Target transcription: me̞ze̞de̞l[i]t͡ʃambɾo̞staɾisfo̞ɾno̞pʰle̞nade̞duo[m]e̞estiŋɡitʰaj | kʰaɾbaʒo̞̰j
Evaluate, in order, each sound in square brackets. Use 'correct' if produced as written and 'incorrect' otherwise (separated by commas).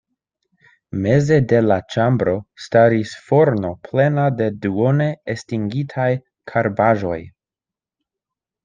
incorrect, incorrect